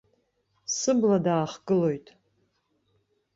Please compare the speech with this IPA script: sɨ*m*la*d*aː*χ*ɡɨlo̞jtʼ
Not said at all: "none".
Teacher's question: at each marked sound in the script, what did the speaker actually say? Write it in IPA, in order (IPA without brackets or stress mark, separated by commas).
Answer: b, d, χ